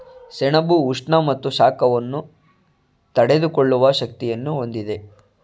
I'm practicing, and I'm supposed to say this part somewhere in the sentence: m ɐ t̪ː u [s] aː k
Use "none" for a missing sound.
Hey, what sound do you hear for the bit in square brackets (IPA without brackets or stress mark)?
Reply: ʃ